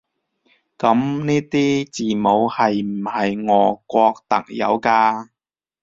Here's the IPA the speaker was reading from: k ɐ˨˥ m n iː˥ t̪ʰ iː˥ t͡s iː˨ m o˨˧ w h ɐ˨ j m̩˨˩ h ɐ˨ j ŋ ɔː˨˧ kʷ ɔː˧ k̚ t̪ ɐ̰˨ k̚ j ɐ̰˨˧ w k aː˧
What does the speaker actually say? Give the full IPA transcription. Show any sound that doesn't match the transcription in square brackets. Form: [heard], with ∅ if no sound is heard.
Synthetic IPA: k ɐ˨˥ m n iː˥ [t̪] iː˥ t͡s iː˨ m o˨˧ w h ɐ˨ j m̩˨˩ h ɐ˨ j ŋ ɔː˨˧ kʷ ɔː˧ k̚ t̪ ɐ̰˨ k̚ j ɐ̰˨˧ w k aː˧